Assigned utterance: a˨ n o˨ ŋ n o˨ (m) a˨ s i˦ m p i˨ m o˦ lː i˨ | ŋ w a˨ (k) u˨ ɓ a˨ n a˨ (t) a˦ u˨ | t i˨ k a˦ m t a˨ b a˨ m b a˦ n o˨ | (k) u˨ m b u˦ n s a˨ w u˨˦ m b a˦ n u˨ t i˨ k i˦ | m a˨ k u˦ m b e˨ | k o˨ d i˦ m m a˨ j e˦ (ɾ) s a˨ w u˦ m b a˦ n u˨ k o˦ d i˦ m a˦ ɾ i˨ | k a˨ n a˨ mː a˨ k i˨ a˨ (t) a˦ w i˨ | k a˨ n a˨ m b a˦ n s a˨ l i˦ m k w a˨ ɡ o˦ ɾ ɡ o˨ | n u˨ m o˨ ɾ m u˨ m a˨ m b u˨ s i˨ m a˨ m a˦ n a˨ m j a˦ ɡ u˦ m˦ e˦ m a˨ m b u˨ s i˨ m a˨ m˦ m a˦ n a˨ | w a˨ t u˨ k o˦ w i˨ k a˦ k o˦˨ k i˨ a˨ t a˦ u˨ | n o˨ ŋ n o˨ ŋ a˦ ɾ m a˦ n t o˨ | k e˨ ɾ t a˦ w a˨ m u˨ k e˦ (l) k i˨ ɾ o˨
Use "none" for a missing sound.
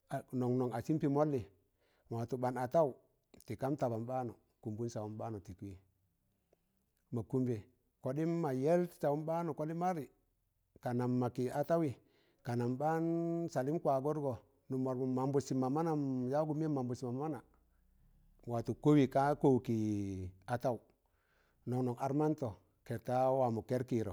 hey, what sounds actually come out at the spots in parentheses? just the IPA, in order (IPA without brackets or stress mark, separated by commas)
ŋ, t, t, k, l, t, ɾ